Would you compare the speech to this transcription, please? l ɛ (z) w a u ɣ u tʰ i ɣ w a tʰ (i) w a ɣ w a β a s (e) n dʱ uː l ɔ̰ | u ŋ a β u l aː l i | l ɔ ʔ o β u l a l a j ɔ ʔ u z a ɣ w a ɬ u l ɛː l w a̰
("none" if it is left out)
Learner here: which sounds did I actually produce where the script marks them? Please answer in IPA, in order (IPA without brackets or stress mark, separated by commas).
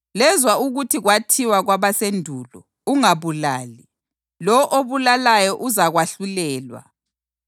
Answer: z, i, e